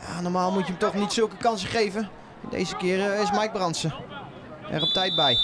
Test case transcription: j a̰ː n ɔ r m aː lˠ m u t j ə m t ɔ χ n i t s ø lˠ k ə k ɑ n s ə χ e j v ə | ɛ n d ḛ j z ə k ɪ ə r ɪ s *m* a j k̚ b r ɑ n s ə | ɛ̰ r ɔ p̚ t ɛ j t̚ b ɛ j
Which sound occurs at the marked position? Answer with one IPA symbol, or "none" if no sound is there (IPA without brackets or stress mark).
m